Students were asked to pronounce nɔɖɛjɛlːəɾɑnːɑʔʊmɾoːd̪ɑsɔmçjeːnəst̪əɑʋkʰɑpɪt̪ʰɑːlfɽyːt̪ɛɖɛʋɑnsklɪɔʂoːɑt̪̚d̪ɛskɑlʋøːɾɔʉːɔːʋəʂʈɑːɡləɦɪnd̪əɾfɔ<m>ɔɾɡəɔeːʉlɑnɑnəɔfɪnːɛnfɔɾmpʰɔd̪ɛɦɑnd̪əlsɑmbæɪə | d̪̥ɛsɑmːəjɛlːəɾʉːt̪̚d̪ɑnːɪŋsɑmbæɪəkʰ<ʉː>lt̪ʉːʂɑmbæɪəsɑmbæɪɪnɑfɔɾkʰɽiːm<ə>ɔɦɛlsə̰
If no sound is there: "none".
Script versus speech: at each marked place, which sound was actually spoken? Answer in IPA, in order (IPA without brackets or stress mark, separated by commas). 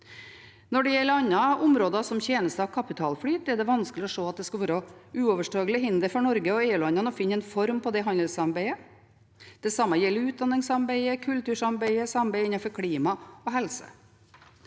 ɳ, ʉ, ɑ